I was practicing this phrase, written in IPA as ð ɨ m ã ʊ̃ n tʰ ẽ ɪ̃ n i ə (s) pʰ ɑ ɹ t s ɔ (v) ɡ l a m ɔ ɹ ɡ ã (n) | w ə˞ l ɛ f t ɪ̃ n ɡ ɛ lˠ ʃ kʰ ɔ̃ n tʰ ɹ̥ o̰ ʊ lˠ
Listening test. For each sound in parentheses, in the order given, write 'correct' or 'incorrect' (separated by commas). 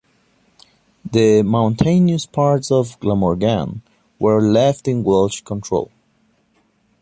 correct, correct, correct